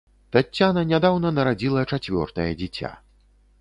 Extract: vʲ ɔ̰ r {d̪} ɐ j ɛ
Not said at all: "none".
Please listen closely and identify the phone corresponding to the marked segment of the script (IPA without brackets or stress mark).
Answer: t̪